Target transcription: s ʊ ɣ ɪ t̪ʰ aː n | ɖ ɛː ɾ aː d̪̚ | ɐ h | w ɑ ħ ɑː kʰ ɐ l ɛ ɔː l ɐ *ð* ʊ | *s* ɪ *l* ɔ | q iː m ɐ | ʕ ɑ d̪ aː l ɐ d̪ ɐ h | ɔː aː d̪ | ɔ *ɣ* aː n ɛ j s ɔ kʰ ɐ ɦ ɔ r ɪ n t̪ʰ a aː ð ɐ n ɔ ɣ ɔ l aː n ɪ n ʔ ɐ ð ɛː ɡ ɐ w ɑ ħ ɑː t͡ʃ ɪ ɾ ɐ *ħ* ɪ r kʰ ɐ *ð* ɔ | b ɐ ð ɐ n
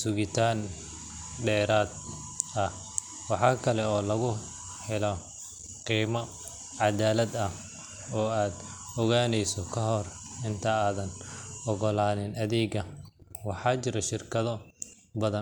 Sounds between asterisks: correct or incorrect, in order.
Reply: incorrect: ɣ, incorrect: ħ, correct, correct, incorrect: ʃ, correct

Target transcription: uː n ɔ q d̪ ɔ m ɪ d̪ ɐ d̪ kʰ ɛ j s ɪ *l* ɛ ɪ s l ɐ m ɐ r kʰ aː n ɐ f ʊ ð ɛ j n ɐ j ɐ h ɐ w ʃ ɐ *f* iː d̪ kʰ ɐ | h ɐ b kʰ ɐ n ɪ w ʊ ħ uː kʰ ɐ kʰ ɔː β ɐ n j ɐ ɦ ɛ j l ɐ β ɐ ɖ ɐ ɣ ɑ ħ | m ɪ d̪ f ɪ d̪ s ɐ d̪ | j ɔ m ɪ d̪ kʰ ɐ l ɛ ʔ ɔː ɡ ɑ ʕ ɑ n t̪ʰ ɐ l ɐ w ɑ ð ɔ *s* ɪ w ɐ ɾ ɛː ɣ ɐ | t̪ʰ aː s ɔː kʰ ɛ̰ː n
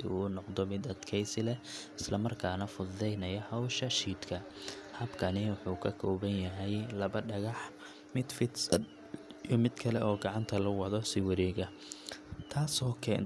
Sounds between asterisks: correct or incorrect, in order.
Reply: correct, incorrect: ʃ, correct

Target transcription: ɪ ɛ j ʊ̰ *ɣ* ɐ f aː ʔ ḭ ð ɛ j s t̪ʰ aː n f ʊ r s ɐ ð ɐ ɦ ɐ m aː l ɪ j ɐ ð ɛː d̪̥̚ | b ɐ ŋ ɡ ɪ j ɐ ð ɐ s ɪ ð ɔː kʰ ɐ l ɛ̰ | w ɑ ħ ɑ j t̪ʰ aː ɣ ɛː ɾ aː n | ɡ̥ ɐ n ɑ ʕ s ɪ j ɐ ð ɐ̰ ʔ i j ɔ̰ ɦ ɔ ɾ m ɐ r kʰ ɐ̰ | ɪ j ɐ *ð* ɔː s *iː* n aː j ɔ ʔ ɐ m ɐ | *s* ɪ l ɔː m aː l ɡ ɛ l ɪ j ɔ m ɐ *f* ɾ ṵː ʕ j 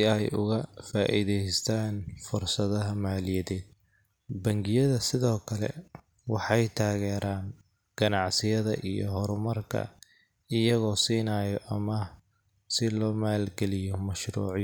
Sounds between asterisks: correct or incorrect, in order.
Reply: correct, incorrect: ɣ, correct, correct, incorrect: ʃ

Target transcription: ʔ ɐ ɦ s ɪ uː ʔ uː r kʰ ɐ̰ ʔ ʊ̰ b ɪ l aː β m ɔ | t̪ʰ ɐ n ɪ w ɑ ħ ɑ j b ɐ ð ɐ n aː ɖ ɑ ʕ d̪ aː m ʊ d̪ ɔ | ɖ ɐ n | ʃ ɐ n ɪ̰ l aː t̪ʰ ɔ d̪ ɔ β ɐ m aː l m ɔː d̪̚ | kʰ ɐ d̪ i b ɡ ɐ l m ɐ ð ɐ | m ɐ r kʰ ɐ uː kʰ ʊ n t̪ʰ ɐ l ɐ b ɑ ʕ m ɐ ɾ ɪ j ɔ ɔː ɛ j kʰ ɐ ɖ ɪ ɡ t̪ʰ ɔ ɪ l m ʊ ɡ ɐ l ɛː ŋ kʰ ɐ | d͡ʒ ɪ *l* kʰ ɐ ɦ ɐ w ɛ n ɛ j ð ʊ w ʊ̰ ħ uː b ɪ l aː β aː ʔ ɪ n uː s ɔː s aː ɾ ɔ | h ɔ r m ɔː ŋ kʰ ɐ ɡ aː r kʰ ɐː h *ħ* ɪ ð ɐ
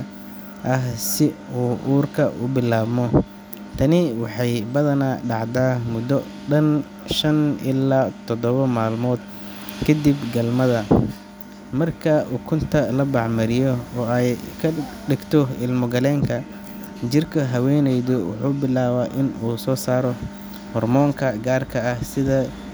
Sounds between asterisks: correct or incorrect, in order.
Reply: incorrect: r, incorrect: s

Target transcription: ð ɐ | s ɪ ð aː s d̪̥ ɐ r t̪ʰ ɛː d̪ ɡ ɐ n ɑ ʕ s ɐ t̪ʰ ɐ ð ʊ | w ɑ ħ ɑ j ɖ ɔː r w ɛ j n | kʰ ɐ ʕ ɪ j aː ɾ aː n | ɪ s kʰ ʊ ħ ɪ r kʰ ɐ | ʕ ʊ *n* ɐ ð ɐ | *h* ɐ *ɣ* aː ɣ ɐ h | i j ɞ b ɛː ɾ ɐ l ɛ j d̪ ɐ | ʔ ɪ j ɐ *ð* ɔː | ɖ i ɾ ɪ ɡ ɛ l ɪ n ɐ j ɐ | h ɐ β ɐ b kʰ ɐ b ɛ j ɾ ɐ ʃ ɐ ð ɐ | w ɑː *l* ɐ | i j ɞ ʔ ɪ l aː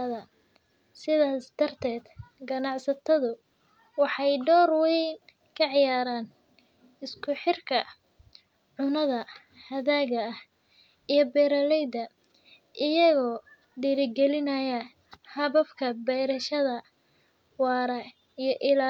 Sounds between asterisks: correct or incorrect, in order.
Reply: correct, correct, incorrect: ð, incorrect: ɣ, incorrect: ɾ

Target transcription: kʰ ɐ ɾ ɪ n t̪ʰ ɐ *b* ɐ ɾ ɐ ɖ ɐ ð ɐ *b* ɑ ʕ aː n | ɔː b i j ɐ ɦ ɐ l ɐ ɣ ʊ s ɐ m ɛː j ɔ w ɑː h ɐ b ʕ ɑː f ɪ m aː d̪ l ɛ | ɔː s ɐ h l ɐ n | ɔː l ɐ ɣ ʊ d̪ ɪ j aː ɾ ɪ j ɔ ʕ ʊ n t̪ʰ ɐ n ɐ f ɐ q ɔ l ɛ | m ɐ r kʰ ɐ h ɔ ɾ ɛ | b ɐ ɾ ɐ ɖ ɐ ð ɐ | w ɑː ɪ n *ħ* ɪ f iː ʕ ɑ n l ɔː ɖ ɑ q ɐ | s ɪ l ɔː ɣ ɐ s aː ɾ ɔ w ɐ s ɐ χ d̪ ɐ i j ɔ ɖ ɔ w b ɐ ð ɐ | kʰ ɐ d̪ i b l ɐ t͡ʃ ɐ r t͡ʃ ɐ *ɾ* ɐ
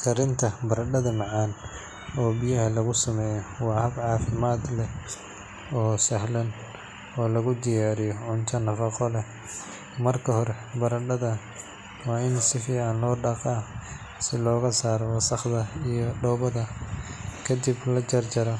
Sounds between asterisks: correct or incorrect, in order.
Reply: correct, incorrect: m, incorrect: s, correct

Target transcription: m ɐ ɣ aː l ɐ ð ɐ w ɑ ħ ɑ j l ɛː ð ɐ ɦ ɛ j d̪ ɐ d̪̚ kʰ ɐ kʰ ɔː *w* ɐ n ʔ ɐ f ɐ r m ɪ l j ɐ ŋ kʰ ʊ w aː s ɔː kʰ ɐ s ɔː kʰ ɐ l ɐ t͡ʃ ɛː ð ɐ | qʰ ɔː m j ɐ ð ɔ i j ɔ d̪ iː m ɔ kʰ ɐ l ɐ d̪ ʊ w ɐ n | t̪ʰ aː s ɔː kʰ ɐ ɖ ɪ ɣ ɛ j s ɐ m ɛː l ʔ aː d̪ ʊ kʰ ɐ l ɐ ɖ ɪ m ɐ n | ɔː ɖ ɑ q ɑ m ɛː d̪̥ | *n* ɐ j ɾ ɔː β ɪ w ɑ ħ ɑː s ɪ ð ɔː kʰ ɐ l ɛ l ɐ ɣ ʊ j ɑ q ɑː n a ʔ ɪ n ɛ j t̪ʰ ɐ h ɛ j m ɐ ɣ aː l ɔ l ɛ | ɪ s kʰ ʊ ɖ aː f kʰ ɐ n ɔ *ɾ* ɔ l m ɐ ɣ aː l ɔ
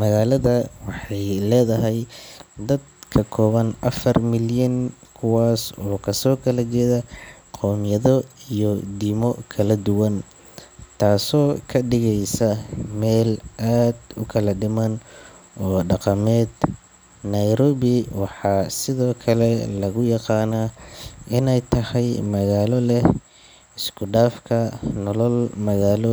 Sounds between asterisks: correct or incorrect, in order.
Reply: incorrect: β, correct, incorrect: l

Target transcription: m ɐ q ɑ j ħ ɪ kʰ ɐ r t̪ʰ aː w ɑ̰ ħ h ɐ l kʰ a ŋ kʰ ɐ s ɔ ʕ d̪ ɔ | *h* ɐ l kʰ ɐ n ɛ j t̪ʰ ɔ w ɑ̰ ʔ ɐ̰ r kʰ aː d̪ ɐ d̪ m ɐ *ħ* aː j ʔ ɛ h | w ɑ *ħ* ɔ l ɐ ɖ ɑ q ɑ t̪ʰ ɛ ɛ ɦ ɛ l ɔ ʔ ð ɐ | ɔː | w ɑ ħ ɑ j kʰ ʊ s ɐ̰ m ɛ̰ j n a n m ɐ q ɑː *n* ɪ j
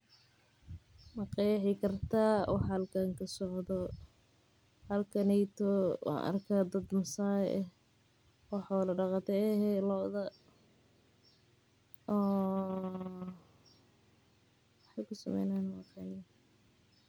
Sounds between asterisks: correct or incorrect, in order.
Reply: correct, incorrect: s, correct, correct

